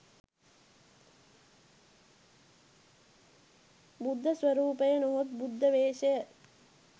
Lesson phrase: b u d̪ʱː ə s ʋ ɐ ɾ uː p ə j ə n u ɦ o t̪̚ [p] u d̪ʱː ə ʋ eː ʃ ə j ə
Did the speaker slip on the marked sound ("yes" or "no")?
yes